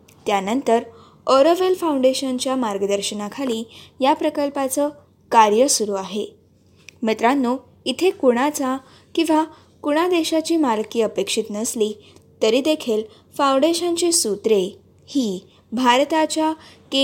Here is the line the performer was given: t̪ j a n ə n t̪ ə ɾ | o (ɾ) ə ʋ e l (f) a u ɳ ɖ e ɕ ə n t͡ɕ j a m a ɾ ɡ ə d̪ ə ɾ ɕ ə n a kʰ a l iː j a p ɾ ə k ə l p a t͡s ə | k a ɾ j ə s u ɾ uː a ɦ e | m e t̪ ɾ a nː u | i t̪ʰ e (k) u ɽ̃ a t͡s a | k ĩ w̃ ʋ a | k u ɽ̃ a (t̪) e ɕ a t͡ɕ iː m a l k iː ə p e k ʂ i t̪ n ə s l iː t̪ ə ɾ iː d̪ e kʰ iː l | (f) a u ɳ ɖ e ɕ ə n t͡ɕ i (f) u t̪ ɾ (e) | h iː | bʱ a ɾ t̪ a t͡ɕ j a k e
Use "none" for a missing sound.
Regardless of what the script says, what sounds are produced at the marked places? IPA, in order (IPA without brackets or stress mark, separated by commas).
ɾ, f, k, d̪, f, s, e